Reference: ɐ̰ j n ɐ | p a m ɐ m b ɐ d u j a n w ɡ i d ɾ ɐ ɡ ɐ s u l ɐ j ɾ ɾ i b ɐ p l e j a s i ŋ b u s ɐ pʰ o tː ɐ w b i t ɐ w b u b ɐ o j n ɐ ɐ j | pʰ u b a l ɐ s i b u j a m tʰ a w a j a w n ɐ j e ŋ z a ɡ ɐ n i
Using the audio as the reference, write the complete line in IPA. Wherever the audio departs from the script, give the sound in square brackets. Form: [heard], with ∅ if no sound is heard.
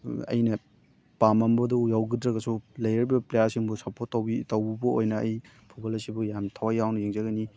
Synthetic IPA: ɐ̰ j n ɐ | p a m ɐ m b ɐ d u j a [∅] w ɡ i d ɾ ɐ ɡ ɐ s u l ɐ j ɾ ɾ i b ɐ p l e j a s i ŋ b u s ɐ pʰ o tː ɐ w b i t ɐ w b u b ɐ o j n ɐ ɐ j | pʰ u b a l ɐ s i b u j a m tʰ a w a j a w n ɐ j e ŋ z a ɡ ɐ n i